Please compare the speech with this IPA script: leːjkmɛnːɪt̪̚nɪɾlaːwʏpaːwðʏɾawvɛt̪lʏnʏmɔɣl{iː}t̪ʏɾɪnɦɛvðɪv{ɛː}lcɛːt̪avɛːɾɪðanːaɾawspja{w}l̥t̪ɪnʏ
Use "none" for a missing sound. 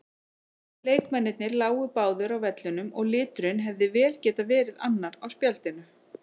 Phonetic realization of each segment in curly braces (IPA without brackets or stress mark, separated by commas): ɪː, ɛː, none